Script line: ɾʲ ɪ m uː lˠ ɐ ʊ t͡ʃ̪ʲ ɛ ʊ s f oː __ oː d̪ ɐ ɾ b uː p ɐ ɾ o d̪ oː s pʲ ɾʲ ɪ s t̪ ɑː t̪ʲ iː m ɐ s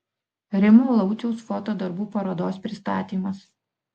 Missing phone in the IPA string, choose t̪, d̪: t̪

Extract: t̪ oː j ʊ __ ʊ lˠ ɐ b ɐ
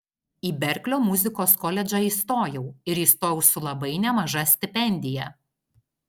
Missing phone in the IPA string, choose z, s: s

